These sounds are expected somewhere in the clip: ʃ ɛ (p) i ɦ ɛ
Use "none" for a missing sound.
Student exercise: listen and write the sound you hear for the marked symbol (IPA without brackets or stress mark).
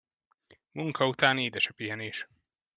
p